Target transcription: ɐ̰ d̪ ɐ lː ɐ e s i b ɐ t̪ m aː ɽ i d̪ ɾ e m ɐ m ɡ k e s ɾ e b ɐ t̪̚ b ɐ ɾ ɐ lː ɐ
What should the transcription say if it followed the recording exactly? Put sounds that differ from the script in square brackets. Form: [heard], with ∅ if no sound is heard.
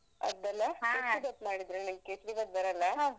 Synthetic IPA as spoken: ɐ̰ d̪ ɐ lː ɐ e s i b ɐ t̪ m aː ɽ i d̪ ɾ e [n] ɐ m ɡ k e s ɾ [i] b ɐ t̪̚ b ɐ ɾ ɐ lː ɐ